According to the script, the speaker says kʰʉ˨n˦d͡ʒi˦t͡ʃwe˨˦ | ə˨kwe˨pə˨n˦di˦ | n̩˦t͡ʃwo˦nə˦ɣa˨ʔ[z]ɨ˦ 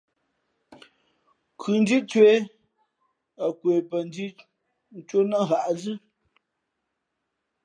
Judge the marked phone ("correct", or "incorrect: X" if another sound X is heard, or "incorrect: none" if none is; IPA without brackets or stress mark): correct